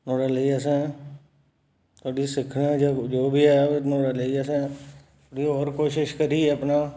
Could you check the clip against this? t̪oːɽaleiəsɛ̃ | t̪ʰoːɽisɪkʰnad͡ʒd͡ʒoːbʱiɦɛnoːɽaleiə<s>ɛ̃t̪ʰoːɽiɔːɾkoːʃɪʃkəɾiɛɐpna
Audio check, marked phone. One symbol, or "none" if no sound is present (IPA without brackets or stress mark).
s